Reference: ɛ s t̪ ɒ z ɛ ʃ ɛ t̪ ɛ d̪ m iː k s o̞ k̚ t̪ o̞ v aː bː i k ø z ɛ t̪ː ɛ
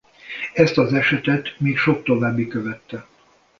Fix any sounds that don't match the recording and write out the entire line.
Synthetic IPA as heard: ɛ s t̪ ɒ z ɛ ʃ ɛ t̪ ɛ t̪ m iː k ʃ o̞ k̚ t̪ o̞ v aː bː i k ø v ɛ t̪ː ɛ